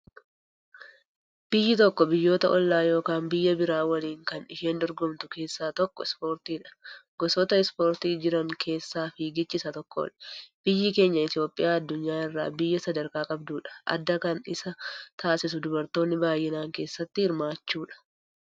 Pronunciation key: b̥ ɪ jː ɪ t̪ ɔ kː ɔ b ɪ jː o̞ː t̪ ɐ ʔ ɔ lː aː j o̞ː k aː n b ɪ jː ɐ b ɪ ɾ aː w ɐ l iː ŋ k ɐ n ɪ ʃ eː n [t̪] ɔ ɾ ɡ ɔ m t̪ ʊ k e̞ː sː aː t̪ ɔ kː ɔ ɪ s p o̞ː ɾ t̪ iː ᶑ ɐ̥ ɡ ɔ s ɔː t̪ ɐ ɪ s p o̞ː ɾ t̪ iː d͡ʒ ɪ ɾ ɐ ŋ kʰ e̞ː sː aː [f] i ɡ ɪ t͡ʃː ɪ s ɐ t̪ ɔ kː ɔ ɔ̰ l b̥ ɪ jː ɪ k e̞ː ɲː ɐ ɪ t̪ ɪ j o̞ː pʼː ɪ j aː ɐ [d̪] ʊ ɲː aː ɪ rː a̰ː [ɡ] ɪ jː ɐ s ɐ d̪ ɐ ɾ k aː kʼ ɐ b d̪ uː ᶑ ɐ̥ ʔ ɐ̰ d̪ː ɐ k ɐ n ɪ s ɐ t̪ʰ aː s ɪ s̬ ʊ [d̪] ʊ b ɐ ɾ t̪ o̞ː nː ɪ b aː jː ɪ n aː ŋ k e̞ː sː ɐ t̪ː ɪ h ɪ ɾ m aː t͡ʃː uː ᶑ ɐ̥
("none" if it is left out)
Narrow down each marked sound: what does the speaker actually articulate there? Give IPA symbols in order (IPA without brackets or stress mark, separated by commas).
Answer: d̪, f, d̪ː, b, d̪